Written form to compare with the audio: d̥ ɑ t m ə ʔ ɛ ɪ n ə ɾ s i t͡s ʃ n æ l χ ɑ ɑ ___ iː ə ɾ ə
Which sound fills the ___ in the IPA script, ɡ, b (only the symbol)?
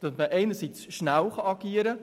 ɡ